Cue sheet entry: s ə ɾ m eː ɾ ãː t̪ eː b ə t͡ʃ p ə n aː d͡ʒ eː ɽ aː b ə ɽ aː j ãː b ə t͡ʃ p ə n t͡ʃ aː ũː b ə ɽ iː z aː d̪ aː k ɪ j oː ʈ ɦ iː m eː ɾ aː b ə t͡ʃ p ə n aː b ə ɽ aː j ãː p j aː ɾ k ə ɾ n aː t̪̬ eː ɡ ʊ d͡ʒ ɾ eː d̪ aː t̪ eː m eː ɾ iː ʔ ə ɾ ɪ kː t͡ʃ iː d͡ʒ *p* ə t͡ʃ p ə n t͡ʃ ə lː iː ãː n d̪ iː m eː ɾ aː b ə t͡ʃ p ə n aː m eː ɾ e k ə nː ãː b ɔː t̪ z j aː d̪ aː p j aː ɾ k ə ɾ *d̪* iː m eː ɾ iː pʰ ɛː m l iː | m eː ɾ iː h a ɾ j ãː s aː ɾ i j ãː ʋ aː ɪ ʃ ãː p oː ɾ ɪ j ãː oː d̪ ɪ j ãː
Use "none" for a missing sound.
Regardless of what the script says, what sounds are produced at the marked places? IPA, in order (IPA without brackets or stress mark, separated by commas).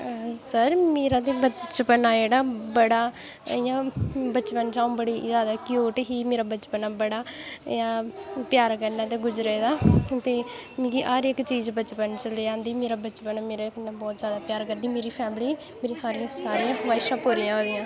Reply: b, d̪